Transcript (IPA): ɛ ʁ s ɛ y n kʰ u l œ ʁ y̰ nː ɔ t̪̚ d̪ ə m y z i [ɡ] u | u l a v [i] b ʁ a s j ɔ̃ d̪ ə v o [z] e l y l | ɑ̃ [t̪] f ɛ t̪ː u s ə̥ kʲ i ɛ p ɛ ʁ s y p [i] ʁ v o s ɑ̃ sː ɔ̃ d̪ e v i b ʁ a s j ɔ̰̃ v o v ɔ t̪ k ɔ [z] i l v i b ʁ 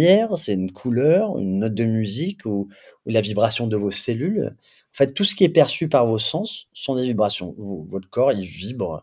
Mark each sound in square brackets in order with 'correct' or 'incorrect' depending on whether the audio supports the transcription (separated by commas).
incorrect, correct, incorrect, incorrect, incorrect, incorrect